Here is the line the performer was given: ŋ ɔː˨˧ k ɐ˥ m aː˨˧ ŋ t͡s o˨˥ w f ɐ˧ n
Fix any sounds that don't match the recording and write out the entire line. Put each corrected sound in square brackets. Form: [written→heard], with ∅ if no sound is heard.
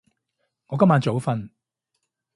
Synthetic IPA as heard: ŋ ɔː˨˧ k ɐ˥ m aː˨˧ [ŋ→n] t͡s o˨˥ w f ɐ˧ n